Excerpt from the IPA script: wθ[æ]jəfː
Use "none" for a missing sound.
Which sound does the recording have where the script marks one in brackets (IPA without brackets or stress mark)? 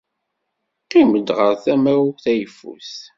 æ